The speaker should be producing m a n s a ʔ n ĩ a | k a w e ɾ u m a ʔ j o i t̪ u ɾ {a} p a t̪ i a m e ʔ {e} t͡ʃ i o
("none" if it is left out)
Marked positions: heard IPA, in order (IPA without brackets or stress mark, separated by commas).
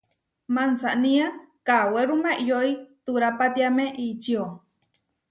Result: a, i